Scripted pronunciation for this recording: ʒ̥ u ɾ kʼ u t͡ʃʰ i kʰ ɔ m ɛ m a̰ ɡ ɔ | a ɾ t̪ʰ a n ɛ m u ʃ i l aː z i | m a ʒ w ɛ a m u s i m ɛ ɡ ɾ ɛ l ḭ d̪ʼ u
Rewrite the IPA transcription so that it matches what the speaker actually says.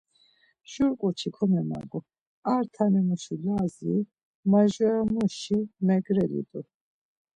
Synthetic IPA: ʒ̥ u ɾ kʼ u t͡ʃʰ i kʰ ɔ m ɛ m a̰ ɡ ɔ | a ɾ t̪ʰ a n ɛ m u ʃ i l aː z i | m a ʒ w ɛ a m u ʃ i m ɛ ɡ ɾ ɛ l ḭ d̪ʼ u